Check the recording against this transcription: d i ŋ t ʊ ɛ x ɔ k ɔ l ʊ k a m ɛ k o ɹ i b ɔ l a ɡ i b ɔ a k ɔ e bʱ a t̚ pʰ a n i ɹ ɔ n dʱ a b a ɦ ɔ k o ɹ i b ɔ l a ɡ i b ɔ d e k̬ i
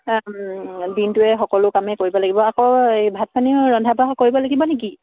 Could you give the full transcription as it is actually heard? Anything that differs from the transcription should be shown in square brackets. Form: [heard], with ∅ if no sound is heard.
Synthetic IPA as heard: d i [n] t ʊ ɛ x ɔ k ɔ l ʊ k a m ɛ k o ɹ i b ɔ l a ɡ i b ɔ a k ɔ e bʱ a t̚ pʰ a n i ɹ ɔ n dʱ a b a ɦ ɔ k o ɹ i b ɔ l a ɡ i b ɔ [n] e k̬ i